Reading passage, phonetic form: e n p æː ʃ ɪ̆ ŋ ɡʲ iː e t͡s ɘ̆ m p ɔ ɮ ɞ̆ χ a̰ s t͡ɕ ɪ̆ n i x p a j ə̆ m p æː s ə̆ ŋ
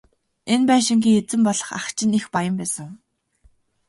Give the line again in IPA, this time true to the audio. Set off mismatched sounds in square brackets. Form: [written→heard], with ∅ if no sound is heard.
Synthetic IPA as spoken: e n p æː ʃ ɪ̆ ŋ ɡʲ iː e t͡s ɘ̆ m p ɔ ɮ ɞ̆ χ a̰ [s→χ] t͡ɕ ɪ̆ n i x p a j ə̆ m p æː s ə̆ ŋ